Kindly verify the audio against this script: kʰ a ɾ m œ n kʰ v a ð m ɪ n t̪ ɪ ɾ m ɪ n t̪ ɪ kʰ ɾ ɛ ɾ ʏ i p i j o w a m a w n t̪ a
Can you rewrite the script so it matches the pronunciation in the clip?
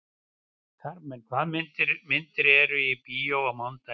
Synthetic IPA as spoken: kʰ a ɾ m ɛ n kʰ v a ð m ɪ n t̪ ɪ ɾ m ɪ n t̪ ɪ ɾ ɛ ɾ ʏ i p i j o w a m a w n t̪ a